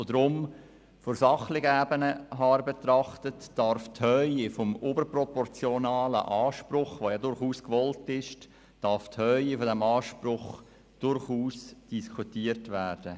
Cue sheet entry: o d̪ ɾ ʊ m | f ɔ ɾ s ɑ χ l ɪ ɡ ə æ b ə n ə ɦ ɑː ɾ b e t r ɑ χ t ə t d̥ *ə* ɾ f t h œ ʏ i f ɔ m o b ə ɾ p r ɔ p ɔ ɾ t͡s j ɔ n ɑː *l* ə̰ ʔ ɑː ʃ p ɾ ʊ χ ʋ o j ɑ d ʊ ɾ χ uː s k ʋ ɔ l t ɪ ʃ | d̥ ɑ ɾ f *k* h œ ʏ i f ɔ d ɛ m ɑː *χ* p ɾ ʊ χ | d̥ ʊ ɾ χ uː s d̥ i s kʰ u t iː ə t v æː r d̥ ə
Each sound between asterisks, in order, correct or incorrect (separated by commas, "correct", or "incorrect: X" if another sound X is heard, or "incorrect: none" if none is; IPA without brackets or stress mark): incorrect: ɑ, correct, incorrect: t, incorrect: ʃ